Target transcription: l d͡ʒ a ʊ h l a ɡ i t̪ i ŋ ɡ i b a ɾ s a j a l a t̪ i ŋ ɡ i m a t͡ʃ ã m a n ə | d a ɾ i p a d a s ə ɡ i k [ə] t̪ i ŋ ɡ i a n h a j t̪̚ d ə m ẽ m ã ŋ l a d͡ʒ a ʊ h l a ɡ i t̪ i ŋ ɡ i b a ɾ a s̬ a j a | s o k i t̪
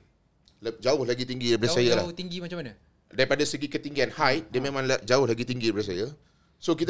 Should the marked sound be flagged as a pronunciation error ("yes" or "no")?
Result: no